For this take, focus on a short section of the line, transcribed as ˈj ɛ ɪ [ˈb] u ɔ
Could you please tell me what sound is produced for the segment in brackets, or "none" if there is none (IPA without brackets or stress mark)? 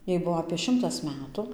b